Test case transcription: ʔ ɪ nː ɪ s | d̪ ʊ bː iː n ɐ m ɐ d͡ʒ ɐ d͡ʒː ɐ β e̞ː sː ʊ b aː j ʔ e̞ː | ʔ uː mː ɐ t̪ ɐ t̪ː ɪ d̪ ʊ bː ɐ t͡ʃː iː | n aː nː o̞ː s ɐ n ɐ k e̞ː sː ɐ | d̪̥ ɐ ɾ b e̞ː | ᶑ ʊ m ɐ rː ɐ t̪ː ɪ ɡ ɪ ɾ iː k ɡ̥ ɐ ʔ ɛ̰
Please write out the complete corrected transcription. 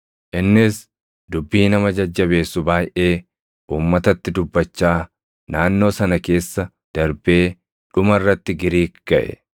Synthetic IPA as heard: ʔ ɪ nː ɪ s | d̪ ʊ bː iː n ɐ m ɐ d͡ʒ ɐ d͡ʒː ɐ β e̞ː sː ʊ b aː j ʔ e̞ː | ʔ uː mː ɐ t̪ ɐ t̪ː ɪ d̪ ʊ bː ɐ t͡ʃː aː | n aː nː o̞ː s ɐ n ɐ k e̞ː sː ɐ | d̪̥ ɐ ɾ b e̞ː | ᶑ ʊ m ɐ rː ɐ t̪ː ɪ ɡ ɪ ɾ iː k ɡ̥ ɐ ʔ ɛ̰